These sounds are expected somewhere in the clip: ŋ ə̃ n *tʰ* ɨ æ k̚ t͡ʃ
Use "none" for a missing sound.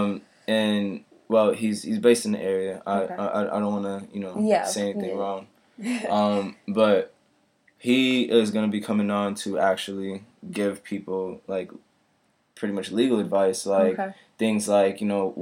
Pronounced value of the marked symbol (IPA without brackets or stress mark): tʰ